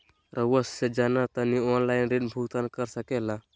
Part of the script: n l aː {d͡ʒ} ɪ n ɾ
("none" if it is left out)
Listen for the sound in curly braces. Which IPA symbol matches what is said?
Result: none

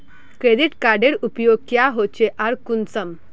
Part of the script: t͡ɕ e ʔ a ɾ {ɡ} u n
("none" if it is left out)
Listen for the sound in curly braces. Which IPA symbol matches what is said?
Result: k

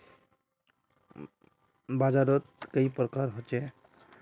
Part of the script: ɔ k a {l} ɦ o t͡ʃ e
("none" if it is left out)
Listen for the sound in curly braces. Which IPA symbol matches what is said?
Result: ɾ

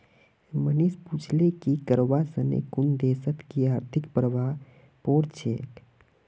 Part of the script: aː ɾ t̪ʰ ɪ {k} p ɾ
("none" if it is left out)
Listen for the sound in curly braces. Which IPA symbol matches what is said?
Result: k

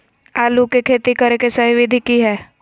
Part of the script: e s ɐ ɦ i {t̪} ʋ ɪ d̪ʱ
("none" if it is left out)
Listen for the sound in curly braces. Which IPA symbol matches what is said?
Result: none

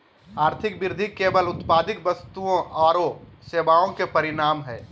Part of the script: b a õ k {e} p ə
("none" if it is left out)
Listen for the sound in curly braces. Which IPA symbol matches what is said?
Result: e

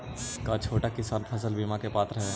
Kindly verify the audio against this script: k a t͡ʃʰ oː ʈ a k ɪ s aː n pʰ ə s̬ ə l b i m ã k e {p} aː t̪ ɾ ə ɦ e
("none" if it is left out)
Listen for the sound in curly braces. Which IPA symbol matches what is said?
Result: p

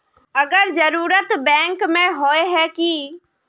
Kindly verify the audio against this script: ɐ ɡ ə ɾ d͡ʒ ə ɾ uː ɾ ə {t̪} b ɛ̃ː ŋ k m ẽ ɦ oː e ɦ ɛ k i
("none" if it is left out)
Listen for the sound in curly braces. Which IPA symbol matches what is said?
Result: t̪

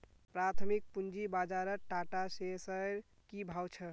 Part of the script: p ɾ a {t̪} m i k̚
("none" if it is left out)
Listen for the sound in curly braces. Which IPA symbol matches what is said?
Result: t̪ʰ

